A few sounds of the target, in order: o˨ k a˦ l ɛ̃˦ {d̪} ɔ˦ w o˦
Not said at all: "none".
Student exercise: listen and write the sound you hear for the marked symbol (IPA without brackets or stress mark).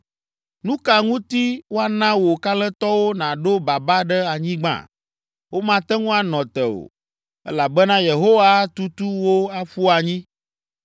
t̪